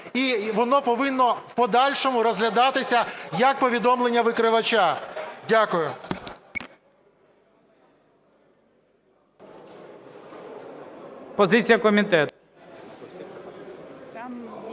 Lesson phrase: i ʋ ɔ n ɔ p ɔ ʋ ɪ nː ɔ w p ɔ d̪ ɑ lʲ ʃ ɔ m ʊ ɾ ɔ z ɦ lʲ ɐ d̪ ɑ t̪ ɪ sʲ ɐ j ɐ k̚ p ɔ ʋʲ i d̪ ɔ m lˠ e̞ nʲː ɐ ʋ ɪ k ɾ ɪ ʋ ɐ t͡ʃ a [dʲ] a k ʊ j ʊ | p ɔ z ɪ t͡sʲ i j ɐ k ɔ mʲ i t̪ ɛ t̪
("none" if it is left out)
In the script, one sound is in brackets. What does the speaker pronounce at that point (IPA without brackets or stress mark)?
dʲ